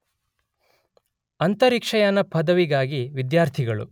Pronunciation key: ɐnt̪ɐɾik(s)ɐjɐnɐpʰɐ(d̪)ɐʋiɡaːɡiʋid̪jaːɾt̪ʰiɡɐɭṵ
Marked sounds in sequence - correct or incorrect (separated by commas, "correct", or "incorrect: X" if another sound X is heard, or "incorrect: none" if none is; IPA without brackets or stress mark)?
incorrect: ʂ, correct